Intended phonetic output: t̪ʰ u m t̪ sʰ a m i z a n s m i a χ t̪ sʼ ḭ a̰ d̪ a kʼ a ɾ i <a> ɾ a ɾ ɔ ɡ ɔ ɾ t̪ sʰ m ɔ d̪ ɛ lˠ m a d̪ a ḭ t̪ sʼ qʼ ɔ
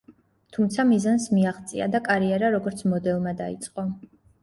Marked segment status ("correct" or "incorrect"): incorrect